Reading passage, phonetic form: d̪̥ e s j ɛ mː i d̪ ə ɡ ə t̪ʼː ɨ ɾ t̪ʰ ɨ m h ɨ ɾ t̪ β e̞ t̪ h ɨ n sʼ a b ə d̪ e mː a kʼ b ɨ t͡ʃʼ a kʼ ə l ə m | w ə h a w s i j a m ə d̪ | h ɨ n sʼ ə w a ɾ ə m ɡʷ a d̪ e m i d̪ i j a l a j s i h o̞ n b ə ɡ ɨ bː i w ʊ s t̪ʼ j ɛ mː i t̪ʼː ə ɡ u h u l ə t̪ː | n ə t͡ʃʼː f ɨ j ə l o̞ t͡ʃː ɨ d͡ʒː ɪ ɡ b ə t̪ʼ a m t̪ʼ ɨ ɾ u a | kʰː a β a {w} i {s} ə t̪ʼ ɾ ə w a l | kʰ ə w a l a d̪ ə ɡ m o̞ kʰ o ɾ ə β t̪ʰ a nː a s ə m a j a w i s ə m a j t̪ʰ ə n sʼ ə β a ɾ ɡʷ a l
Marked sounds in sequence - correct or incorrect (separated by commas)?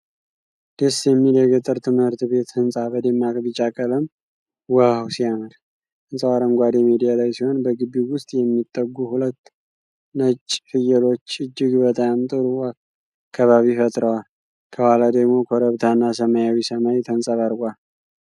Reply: incorrect, incorrect